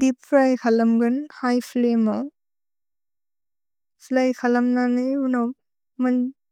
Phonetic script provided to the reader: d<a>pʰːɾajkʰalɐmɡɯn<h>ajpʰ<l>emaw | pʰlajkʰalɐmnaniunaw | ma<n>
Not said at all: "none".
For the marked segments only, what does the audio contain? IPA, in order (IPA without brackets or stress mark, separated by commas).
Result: i, h, l, n